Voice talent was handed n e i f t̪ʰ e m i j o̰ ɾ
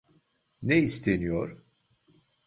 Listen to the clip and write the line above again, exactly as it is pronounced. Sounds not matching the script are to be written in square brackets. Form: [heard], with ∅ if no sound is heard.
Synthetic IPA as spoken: n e i [s] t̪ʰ e [n] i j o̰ ɾ